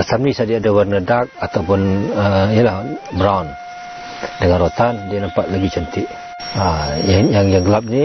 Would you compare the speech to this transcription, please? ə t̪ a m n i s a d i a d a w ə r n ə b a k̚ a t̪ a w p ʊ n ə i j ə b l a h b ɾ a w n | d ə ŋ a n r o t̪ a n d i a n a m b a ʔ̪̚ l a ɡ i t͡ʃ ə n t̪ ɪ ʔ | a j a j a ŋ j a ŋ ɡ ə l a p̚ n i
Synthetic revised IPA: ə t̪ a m n i s a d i a d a w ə r n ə d a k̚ a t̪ a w p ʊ n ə i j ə l a h b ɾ a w n | d ə ŋ a n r o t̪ a n d i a n a m p a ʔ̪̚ l a ɡ i t͡ʃ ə n t̪ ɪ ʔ | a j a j a ŋ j a ŋ ɡ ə l a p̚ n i